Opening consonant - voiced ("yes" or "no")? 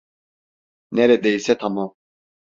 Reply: yes